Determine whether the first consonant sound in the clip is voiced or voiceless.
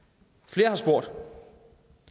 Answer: voiceless